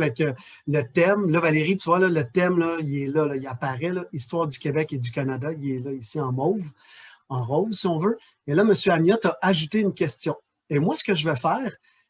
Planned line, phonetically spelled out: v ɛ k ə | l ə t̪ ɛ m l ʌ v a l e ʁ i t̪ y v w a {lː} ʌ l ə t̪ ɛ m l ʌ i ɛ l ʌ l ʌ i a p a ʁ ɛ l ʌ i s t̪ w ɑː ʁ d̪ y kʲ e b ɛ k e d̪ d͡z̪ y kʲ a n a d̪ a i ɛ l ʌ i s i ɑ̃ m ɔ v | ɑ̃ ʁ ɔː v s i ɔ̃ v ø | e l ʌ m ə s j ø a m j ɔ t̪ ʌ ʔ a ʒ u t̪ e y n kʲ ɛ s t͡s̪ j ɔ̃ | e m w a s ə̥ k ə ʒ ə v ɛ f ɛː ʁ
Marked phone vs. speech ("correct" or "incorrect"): incorrect